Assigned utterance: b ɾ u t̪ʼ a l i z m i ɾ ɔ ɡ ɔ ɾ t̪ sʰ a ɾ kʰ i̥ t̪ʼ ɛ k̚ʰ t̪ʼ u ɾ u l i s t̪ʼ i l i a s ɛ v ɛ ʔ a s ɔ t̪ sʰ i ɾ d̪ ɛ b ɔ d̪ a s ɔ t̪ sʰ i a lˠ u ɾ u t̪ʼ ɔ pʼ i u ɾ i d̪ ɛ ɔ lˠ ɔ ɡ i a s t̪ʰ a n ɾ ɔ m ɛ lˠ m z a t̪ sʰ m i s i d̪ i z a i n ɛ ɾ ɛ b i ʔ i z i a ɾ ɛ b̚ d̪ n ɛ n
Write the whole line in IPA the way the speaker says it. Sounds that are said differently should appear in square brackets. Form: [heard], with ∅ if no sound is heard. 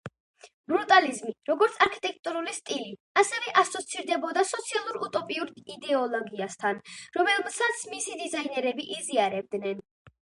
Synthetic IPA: b ɾ u t̪ʼ a l i z m i ɾ ɔ ɡ ɔ ɾ t̪ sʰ a ɾ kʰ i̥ t̪ʼ ɛ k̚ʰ t̪ʼ u ɾ u l i s t̪ʼ i l i a s ɛ v ɛ ʔ a s ɔ t̪ sʰ i ɾ d̪ ɛ b ɔ d̪ a s ɔ t̪ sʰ i a lˠ u ɾ u t̪ʼ ɔ pʼ i u ɾ i d̪ ɛ ɔ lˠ ɔ ɡ i a s t̪ʰ a n ɾ ɔ m ɛ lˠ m [s] a t̪ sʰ m i s i d̪ i z a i n ɛ ɾ ɛ b i ʔ i z i a ɾ ɛ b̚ d̪ n ɛ n